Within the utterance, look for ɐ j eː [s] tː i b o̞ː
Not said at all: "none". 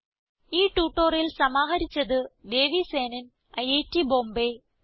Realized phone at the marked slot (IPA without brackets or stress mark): none